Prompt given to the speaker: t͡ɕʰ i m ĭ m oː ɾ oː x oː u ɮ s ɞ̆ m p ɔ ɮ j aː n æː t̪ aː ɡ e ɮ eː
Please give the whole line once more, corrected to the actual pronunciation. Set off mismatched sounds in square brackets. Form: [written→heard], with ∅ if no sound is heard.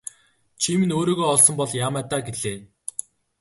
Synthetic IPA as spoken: t͡ɕʰ i m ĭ [m→n] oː ɾ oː [x→ɣ] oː [u→ɔ] ɮ s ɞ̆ m p ɔ ɮ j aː [n→m] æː t̪ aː ɡ e ɮ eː